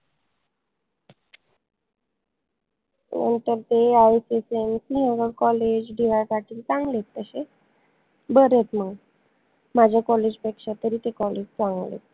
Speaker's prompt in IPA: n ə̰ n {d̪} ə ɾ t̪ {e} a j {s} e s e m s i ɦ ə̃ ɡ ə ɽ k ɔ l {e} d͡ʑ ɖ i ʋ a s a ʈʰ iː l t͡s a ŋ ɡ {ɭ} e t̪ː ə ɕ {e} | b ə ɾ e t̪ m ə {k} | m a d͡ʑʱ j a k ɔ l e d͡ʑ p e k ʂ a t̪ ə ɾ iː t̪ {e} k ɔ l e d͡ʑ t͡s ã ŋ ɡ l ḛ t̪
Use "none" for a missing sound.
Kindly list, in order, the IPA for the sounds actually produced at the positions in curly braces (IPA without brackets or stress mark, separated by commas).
t̪, e, s, e, l, e, ɡ, e